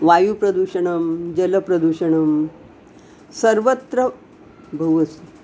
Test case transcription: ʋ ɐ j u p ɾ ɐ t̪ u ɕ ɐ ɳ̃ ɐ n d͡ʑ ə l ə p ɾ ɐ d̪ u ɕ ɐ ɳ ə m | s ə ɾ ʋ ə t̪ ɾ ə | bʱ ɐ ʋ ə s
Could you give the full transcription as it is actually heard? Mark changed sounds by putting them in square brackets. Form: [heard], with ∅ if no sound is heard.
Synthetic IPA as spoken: ʋ [a] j u p ɾ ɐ [d̪] u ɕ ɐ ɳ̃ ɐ [m] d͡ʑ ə l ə p ɾ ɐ d̪ u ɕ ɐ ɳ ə m | s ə ɾ ʋ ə t̪ ɾ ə | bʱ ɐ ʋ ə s